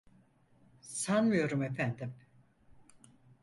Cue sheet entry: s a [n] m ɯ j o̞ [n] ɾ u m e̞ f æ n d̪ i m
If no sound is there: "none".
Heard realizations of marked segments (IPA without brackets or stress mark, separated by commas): n, none